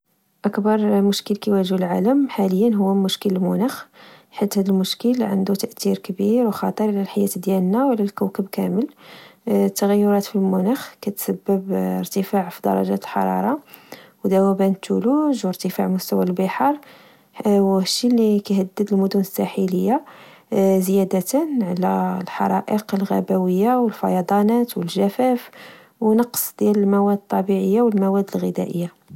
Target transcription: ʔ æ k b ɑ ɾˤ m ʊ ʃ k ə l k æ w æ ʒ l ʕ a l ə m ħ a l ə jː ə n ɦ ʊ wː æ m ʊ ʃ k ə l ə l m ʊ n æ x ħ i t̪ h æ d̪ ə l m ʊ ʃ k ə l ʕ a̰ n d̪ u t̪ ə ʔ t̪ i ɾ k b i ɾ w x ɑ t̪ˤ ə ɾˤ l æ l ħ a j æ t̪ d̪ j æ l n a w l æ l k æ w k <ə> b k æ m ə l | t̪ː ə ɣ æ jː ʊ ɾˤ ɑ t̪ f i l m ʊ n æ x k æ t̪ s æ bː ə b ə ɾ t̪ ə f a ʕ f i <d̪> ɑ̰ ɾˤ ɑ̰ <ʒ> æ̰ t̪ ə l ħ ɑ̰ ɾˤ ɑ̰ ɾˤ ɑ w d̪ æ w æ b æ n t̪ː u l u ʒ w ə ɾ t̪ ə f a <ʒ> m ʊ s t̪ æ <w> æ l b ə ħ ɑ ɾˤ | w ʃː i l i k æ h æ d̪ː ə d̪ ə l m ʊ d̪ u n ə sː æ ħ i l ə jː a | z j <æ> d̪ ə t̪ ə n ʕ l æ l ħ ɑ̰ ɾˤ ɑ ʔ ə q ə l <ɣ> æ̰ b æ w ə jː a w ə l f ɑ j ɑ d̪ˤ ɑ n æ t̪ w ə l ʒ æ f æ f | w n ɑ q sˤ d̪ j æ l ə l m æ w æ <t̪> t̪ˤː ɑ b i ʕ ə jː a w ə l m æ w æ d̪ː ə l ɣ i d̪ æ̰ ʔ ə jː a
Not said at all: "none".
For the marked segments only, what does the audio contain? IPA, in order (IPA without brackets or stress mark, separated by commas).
ə, d̪, ʒ, ʕ, w, æ, ɣ, d̪